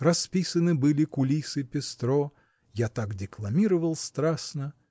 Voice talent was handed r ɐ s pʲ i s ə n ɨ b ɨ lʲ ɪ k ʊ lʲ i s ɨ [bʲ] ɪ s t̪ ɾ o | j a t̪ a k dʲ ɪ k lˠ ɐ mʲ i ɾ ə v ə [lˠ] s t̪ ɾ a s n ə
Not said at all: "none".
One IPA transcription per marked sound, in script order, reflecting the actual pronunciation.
pʲ, lˠ

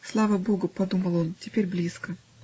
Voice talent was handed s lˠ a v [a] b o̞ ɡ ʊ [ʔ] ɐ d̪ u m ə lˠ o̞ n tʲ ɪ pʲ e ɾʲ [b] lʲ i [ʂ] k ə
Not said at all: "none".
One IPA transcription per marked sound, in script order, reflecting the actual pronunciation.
ə, p, b, s

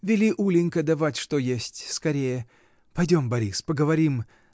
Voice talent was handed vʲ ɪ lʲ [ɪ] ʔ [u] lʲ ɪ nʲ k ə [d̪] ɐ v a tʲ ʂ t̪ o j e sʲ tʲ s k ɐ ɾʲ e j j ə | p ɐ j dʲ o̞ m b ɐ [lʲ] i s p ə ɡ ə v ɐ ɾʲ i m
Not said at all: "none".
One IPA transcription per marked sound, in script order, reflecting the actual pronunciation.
i, u, d̪, ɾʲ

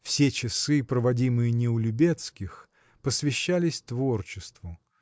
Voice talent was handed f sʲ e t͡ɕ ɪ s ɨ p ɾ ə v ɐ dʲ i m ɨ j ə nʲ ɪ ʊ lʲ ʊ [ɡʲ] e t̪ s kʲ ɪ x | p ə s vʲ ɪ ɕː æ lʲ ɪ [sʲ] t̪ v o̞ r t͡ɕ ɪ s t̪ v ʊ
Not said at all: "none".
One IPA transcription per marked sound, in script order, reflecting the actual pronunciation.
bʲ, sʲ

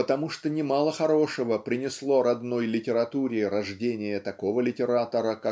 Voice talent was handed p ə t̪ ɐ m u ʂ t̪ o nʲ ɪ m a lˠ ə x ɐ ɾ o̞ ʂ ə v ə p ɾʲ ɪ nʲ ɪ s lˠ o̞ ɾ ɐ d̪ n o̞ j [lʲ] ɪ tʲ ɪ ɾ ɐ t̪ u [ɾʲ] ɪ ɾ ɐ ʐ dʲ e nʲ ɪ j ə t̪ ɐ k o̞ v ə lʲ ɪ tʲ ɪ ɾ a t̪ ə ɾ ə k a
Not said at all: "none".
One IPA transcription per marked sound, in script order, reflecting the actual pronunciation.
lʲ, ɾʲ

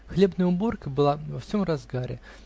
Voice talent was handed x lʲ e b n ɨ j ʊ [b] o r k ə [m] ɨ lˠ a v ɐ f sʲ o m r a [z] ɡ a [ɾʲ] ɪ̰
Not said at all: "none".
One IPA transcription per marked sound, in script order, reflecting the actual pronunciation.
b, b, z, ɾʲ

